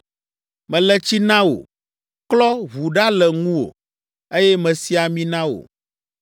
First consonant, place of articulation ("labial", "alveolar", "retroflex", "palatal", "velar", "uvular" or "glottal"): labial